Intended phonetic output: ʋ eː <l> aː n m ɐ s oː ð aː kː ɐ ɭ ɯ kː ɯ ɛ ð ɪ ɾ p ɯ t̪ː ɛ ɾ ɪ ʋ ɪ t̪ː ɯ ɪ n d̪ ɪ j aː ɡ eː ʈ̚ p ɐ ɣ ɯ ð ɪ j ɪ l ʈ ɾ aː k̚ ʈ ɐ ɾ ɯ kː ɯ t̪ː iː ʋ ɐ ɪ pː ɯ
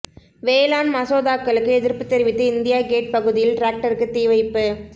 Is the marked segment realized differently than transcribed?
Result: no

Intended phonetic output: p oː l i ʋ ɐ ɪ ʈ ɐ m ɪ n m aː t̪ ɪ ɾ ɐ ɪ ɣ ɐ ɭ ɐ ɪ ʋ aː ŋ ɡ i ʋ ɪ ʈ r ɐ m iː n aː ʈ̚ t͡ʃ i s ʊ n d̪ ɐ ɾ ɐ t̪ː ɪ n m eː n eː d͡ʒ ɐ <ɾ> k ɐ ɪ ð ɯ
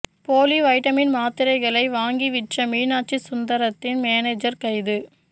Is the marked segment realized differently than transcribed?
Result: no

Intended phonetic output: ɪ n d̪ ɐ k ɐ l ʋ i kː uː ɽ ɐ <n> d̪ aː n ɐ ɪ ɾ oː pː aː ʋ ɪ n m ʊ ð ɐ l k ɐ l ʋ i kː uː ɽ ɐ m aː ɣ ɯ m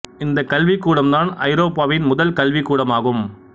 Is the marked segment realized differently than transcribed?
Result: yes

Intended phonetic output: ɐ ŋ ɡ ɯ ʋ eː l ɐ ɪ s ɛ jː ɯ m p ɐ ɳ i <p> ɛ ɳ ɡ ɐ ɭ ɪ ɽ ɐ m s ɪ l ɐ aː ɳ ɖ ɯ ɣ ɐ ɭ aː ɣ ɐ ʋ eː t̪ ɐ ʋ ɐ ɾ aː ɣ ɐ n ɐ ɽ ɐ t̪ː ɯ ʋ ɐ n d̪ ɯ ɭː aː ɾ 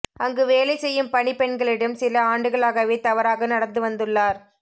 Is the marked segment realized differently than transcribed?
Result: no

